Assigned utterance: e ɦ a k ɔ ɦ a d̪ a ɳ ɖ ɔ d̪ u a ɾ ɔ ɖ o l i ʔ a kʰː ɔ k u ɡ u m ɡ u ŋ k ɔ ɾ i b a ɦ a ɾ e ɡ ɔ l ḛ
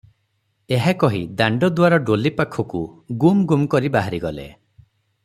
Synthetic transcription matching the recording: e ɦ a k ɔ ɦ i d̪ a ɳ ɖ ɔ d̪ w a ɾ ɔ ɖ o l i p a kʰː ɔ k u ɡ u m ɡ u m k ɔ ɾ i b a ɦ a ɾ i ɡ ɔ l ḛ